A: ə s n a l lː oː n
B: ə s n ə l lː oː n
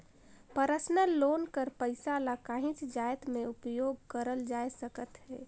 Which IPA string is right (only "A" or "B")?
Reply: B